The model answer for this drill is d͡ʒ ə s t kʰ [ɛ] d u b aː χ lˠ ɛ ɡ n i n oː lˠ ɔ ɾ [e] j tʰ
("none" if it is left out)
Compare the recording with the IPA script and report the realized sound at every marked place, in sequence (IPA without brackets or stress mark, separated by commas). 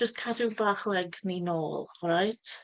a, a